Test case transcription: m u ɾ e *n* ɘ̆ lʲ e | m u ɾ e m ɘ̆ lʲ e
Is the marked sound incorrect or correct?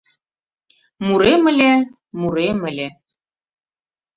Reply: incorrect: m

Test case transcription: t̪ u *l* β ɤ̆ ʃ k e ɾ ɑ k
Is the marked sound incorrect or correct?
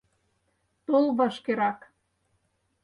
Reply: correct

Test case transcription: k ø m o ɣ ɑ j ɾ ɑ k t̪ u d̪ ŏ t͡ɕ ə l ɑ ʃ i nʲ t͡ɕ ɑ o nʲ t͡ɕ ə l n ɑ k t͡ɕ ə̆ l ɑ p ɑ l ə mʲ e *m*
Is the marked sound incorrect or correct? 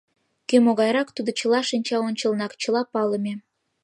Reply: incorrect: none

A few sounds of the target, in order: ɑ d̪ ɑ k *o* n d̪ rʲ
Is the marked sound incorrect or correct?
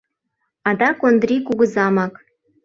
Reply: correct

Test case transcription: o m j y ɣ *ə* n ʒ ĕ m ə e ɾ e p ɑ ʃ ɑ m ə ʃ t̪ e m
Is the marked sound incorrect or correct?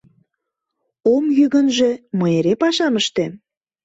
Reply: correct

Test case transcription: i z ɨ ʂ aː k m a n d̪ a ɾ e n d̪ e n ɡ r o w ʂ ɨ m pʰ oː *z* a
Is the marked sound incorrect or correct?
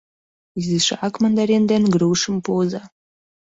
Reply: correct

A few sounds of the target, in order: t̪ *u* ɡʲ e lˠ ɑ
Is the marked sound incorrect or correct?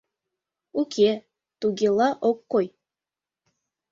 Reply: correct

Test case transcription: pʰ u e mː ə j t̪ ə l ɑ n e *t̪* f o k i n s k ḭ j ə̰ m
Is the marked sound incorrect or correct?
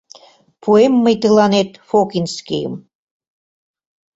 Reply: correct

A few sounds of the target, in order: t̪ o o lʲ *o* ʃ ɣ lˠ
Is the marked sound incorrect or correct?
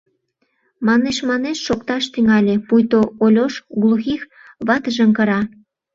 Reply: correct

